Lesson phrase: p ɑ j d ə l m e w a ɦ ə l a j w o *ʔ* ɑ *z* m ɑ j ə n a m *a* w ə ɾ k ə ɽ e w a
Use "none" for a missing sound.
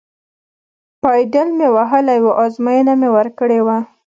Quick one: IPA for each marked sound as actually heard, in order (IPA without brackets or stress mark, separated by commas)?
ʔ, z, e